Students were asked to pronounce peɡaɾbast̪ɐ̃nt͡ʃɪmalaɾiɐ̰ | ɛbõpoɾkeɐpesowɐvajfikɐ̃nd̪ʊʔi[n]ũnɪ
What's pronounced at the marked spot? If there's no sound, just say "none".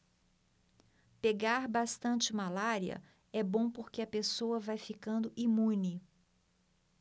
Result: m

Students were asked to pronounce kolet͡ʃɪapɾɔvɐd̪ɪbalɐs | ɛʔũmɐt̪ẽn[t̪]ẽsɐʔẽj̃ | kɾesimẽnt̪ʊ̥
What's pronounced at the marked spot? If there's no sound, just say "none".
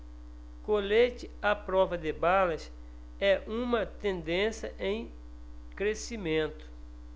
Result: d̪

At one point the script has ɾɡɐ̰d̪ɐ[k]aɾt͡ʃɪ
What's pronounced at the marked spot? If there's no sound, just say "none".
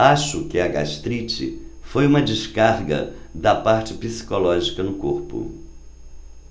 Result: p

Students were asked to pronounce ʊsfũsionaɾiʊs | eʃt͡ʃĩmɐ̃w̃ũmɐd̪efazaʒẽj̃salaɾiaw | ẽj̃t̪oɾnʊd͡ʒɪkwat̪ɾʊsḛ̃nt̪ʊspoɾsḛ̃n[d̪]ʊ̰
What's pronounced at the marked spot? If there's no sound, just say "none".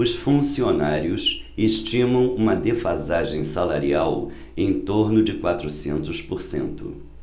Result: t̪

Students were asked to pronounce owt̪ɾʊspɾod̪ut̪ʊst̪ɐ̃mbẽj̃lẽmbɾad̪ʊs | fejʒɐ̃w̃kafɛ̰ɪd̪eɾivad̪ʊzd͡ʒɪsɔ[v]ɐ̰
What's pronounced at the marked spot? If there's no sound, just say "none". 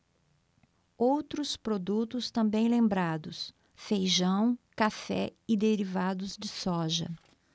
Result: ʒ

